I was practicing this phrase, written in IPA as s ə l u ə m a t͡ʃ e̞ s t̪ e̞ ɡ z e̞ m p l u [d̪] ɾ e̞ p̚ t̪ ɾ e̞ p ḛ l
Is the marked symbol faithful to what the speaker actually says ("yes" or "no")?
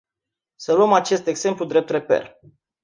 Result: yes